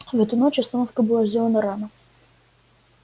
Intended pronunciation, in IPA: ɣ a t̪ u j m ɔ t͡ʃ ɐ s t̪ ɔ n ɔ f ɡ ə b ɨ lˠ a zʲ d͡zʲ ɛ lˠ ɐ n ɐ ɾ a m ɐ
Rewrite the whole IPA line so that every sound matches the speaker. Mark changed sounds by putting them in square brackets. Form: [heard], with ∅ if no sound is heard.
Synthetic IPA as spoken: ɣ [ɛ] t̪ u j [n] ɔ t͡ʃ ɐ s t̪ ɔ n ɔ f [k] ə b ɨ lˠ a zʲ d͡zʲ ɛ lˠ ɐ n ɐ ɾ a [n] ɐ